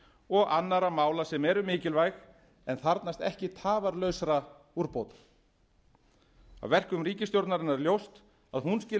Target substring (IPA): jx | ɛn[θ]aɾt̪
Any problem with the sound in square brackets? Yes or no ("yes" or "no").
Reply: no